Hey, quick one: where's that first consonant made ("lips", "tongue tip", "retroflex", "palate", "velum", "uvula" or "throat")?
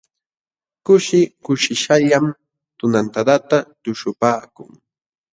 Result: velum